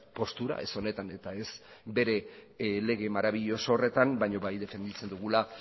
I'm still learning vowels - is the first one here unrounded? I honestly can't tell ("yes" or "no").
no